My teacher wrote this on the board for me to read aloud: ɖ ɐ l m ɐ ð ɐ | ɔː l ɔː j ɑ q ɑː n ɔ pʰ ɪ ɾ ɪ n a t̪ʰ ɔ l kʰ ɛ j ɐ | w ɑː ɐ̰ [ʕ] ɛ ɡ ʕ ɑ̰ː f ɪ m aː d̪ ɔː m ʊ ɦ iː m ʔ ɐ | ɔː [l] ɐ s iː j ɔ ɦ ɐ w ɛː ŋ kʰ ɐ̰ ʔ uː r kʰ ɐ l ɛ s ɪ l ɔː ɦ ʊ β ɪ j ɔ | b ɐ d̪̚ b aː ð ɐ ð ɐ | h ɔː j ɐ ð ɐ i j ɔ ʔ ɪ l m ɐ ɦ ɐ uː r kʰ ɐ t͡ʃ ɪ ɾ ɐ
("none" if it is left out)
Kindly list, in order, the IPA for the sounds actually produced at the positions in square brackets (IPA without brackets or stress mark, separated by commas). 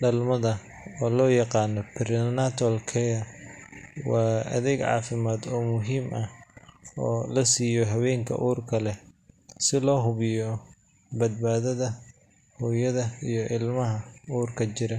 ð, l